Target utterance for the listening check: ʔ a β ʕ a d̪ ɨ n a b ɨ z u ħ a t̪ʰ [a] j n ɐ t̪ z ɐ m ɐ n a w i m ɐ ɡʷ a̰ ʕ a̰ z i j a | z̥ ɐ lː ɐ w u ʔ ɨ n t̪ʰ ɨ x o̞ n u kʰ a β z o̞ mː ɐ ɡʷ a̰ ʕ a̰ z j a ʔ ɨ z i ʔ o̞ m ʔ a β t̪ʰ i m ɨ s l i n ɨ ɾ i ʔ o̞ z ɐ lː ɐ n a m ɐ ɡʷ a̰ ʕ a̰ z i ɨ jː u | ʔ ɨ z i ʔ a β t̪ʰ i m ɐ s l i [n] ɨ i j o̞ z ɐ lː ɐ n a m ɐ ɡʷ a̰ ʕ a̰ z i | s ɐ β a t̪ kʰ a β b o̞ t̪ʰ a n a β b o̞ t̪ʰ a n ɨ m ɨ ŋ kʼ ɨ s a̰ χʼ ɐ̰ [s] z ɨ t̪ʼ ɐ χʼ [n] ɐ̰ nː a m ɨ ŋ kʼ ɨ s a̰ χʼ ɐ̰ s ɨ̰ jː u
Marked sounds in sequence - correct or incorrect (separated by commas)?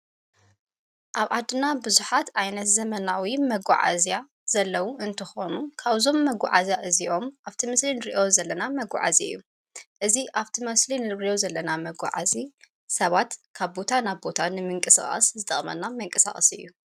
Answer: correct, correct, correct, incorrect